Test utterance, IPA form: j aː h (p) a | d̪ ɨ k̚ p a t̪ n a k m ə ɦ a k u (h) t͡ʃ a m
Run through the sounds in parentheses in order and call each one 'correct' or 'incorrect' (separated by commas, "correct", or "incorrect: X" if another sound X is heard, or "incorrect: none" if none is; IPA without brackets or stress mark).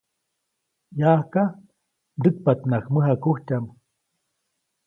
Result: incorrect: k, correct